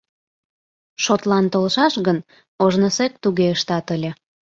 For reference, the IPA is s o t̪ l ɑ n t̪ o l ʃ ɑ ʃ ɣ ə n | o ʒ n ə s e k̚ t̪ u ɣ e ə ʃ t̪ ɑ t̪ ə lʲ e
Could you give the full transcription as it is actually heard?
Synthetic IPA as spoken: ʃ o t̪ l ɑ n t̪ o l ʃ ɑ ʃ ɣ ə n | o ʒ n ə s e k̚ t̪ u ɣ e ə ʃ t̪ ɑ t̪ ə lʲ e